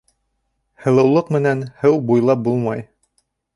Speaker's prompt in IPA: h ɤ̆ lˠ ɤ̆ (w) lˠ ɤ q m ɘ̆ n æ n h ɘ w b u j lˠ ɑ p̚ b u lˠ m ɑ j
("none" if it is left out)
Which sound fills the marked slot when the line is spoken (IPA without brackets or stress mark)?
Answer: w